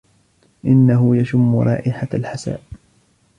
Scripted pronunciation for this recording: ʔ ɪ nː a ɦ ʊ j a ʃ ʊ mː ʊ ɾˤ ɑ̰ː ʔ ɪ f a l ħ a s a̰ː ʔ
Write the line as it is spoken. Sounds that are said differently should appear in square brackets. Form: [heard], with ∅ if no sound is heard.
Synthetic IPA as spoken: ʔ ɪ nː a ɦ ʊ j a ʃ ʊ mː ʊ ɾˤ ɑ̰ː ʔ ɪ [ħ] a l ħ a s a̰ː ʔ